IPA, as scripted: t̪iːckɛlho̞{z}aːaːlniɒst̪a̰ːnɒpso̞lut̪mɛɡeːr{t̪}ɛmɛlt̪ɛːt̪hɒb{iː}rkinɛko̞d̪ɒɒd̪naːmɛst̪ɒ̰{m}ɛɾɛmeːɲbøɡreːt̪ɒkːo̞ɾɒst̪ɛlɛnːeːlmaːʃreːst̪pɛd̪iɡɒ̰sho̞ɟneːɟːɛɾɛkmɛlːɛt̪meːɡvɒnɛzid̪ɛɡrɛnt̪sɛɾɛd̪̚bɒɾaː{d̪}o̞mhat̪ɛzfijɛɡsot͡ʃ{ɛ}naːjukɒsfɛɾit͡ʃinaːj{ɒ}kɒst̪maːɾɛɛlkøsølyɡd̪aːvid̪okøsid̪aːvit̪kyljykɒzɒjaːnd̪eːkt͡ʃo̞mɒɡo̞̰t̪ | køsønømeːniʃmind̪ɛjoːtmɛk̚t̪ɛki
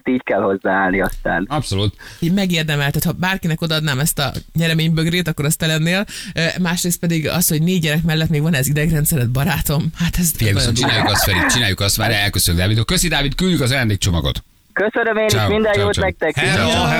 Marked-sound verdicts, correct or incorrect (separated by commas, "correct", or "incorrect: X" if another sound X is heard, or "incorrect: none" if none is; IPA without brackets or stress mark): incorrect: zː, incorrect: d̪, incorrect: aː, incorrect: ɲ, incorrect: t̪, incorrect: i, incorrect: u